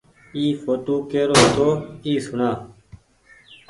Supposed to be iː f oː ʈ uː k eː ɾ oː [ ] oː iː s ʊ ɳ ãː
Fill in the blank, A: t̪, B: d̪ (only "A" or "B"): A